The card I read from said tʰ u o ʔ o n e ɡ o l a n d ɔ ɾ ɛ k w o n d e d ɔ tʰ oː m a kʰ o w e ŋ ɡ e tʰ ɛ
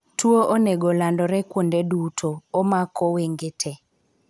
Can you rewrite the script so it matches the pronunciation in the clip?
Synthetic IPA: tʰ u o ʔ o n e ɡ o l a n d ɔ ɾ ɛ k w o n d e d u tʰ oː m a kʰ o w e ŋ ɡ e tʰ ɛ

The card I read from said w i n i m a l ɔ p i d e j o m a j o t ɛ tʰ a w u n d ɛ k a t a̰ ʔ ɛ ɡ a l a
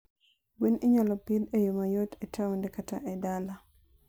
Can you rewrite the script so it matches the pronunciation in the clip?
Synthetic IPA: w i n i ɲ a l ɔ p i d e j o m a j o t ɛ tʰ a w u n d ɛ k a t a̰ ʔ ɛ d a l a

